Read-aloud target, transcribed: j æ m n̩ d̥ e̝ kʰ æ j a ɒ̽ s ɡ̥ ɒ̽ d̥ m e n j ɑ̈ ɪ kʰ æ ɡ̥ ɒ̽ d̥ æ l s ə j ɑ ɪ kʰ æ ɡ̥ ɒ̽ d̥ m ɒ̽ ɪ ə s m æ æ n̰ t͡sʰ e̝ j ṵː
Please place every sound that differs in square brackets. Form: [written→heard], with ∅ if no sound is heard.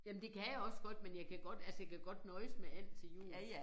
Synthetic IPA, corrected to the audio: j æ m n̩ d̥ e̝ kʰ æ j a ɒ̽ s ɡ̥ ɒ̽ d̥ m e n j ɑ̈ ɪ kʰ æ ɡ̥ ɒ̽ d̥ æ l s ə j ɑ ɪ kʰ æ ɡ̥ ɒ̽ d̥ [m→n] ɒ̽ ɪ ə s m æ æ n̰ t͡sʰ e̝ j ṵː